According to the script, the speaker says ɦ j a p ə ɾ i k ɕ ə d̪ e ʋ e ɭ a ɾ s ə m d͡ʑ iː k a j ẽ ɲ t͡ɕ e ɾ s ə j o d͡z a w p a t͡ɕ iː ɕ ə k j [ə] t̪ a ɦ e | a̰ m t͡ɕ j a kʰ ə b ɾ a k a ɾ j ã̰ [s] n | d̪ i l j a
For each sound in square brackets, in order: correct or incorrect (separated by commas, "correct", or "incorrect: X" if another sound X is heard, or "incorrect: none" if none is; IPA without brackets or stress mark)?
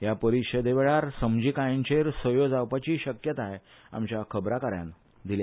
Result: correct, incorrect: none